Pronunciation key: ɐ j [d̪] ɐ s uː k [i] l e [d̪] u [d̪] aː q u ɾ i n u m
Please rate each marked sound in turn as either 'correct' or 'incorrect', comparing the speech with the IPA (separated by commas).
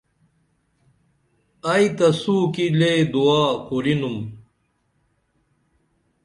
incorrect, correct, correct, incorrect